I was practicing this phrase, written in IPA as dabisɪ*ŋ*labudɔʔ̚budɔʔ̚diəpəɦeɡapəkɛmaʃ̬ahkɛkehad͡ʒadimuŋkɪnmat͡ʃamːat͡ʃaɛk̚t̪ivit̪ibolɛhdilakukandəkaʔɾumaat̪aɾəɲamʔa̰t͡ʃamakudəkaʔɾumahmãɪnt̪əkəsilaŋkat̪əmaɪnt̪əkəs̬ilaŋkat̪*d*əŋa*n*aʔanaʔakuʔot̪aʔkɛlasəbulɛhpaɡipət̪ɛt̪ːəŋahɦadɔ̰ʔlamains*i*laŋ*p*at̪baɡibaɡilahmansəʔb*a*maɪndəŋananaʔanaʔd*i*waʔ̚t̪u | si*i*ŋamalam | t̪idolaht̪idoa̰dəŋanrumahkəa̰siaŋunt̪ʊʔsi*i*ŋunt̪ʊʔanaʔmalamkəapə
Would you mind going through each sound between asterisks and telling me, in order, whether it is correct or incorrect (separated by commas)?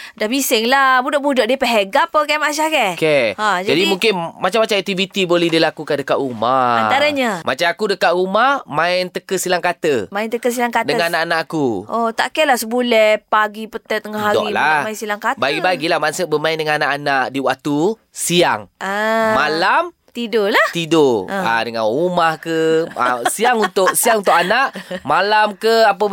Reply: correct, correct, correct, correct, incorrect, incorrect, correct, incorrect, incorrect